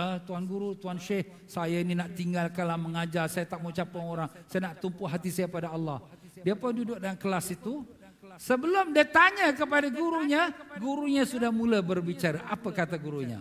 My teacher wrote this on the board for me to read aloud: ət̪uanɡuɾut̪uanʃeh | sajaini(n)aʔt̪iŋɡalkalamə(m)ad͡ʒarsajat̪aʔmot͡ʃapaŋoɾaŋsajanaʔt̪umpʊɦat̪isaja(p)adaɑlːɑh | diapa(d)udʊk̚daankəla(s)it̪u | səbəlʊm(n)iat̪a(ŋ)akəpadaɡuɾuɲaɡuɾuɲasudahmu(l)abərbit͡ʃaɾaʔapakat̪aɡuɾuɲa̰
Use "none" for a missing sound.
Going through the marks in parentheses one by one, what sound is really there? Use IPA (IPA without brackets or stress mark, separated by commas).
n, ŋ, p, d, s, d, ɲ, l